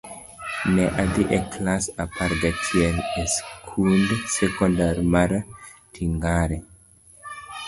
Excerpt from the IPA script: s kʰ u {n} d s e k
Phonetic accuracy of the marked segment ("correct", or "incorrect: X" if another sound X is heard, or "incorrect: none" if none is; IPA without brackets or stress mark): correct